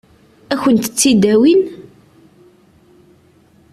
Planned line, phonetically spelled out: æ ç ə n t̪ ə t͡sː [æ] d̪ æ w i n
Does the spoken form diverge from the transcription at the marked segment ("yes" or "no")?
yes